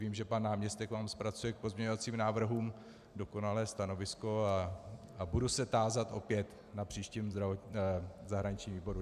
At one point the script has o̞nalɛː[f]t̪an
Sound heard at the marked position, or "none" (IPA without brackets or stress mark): s